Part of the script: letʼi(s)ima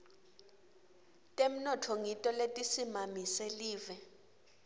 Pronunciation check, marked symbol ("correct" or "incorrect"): correct